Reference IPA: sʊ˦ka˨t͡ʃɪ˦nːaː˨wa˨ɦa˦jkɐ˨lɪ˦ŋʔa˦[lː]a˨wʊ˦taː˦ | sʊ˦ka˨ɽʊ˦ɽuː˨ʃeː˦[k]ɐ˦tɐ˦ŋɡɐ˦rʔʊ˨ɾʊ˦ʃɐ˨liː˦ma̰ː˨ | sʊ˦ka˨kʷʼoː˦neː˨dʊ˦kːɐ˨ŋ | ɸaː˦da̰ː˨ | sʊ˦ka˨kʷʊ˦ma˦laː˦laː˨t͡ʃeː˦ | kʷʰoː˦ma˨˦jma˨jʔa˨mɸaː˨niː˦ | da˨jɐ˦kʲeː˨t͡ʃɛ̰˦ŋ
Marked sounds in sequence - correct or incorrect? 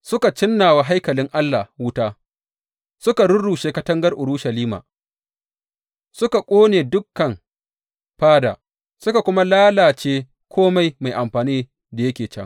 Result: correct, correct

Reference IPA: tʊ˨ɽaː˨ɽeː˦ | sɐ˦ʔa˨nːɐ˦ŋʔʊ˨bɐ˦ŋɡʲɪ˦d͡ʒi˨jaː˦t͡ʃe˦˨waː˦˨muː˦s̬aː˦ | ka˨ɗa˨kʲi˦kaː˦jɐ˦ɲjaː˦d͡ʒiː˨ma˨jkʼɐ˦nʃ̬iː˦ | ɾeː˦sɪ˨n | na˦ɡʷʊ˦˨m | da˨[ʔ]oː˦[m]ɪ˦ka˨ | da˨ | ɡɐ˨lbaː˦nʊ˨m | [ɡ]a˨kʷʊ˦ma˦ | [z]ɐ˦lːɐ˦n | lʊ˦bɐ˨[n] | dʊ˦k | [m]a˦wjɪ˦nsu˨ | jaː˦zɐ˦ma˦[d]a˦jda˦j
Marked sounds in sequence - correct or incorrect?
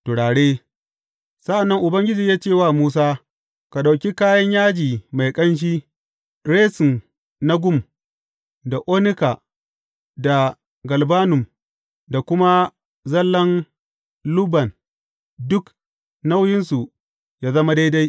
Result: correct, incorrect, incorrect, correct, correct, incorrect, correct

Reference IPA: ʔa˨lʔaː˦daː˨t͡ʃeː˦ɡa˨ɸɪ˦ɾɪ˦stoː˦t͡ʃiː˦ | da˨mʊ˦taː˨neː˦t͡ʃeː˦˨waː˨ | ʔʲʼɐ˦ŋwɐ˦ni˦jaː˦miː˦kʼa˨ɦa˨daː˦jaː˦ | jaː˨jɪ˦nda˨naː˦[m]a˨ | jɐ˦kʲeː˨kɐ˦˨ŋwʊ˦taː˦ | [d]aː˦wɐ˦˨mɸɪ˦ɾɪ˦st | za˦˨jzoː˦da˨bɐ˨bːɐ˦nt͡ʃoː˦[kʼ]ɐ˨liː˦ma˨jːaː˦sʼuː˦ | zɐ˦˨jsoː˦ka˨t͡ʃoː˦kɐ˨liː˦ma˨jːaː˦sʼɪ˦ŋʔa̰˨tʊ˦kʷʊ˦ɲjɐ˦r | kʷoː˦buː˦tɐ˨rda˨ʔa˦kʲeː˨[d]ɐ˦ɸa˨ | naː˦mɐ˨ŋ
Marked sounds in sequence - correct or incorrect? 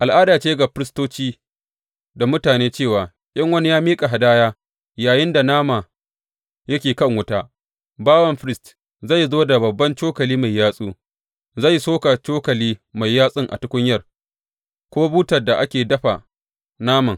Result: correct, incorrect, incorrect, correct

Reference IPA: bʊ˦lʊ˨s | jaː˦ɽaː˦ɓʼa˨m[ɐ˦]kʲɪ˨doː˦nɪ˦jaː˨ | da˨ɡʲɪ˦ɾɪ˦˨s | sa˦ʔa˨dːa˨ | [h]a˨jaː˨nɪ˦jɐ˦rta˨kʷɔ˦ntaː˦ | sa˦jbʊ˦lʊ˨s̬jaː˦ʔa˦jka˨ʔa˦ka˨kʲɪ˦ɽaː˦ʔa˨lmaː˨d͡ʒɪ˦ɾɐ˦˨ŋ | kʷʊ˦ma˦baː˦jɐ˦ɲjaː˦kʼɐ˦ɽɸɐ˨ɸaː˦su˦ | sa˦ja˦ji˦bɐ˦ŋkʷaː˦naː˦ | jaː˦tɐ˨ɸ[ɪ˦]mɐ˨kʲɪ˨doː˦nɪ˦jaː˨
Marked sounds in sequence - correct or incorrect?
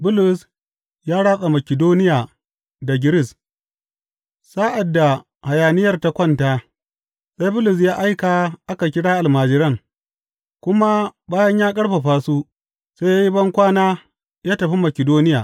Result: incorrect, correct, incorrect

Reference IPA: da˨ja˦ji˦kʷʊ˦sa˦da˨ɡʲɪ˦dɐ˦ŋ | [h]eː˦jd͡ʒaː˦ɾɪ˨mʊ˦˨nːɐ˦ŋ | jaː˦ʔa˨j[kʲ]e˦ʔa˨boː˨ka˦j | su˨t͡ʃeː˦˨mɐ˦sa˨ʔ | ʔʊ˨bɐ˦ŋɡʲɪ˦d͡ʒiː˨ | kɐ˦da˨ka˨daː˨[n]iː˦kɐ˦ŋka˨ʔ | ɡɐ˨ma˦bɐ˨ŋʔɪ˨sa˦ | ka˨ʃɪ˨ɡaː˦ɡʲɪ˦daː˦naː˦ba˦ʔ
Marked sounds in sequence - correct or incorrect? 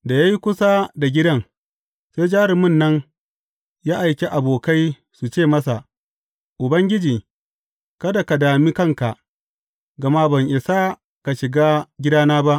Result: incorrect, correct, incorrect

